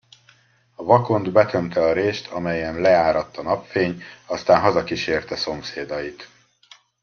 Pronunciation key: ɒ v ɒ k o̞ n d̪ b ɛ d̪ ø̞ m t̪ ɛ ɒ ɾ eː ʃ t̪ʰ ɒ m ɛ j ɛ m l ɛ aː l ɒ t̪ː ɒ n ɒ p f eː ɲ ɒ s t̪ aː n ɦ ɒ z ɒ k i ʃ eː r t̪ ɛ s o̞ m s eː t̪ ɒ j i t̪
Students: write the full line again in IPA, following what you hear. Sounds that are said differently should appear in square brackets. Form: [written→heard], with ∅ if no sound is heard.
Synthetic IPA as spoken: ɒ v ɒ k o̞ n d̪ b ɛ [d̪→t̪] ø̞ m t̪ ɛ ɒ ɾ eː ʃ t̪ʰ ɒ m ɛ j ɛ m l ɛ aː [l→ɾ] ɒ t̪ː ɒ n ɒ p f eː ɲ ɒ s t̪ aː n ɦ ɒ z ɒ k i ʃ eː r t̪ ɛ s o̞ m s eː [t̪→d̪] ɒ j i t̪